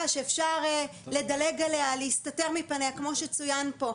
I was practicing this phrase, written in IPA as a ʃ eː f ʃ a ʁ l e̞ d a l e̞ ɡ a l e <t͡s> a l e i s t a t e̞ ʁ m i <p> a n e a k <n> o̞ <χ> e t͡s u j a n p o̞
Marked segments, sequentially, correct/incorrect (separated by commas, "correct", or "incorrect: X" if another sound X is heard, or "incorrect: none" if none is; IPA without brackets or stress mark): incorrect: none, correct, incorrect: m, incorrect: ʃ